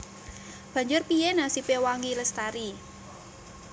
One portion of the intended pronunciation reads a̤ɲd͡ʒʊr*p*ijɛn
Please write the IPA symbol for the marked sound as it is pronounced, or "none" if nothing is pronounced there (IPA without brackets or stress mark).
p